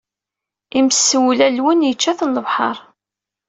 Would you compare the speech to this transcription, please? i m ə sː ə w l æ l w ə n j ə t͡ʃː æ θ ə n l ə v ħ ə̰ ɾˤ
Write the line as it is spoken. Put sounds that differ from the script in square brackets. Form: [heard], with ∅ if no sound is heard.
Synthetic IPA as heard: i m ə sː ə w l æ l w ə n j ə t͡ʃː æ θ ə n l ə v ħ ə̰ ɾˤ